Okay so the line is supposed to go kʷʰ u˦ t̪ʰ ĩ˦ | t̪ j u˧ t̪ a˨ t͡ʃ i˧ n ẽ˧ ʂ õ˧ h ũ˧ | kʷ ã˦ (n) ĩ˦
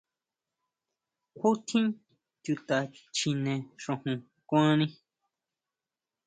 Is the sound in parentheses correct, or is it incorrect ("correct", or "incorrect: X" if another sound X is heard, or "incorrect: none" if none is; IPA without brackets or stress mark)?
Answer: correct